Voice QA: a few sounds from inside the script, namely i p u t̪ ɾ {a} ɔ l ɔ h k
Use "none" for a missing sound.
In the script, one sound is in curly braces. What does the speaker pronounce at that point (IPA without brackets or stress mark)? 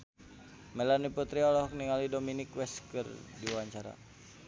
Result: i